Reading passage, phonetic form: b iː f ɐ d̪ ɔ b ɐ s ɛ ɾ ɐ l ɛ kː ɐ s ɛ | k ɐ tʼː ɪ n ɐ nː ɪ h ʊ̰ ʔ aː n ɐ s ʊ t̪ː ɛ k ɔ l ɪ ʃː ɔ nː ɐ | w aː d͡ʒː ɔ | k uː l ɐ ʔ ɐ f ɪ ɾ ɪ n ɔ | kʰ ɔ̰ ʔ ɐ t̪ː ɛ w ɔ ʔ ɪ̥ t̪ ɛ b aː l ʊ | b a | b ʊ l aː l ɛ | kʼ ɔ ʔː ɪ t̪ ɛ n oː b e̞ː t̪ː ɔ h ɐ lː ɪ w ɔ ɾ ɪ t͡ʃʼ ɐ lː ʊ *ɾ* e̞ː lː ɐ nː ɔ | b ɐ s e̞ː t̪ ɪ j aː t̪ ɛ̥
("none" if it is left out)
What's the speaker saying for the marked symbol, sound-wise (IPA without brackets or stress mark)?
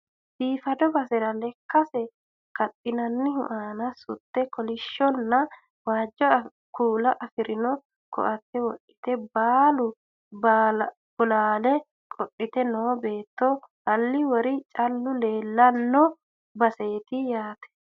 l